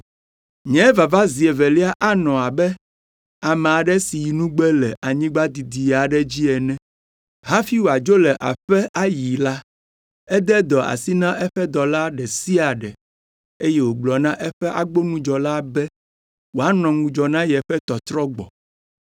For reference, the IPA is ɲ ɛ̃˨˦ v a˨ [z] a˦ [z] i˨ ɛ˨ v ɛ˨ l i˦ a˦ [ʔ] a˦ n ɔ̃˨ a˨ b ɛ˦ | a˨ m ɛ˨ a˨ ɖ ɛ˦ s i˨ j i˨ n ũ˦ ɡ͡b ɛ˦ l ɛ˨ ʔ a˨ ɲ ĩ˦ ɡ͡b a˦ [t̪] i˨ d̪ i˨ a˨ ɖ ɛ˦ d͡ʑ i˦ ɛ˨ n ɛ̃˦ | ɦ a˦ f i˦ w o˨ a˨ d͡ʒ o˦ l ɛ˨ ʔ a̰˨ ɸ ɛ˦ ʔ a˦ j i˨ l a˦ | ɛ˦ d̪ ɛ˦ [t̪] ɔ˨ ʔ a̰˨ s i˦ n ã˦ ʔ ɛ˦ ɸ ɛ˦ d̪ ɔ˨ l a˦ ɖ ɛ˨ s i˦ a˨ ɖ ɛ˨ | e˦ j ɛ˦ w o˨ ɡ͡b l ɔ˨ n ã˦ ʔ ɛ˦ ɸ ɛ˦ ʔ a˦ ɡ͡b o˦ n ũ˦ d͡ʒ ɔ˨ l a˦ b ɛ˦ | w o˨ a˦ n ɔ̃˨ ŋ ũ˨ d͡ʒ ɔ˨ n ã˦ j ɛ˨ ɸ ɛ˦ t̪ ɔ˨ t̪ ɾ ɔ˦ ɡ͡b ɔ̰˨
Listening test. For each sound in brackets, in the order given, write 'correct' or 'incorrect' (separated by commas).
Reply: incorrect, correct, correct, incorrect, incorrect